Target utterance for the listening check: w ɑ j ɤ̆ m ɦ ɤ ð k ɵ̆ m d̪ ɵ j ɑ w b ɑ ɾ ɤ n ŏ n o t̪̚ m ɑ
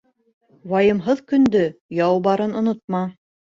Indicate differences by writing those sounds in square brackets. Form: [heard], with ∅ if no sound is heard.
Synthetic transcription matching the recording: w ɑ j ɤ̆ m ɦ ɤ ð k ɵ̆ [n] d̪ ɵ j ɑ w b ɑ ɾ ɤ n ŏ n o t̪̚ m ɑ